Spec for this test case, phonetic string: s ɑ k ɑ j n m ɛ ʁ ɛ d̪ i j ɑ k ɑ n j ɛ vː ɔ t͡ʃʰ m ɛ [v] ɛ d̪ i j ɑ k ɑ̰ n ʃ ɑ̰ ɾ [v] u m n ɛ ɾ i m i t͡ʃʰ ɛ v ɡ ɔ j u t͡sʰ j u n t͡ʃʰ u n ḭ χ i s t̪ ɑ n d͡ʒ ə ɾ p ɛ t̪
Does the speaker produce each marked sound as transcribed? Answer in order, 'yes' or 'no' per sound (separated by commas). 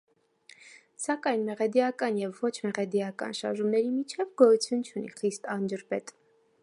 no, no